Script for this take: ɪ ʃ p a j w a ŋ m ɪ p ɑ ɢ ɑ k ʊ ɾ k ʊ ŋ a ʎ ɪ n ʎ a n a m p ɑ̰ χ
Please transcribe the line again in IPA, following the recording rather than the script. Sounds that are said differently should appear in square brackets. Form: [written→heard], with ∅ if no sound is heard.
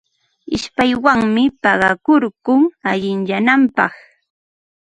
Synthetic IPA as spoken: ɪ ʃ p a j w a ŋ m ɪ p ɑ ɢ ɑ k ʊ ɾ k ʊ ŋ a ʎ ɪ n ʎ a n a m p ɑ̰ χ